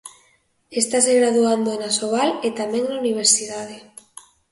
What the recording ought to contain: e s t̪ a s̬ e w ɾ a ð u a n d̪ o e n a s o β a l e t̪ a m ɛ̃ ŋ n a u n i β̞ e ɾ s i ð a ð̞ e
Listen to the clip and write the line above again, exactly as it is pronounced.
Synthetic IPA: e s t̪ a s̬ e ɣ ɾ a ð u a n d̪ o e n a s o β a l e t̪ a m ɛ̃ ŋ n a u n i β̞ e ɾ s i ð a ð̞ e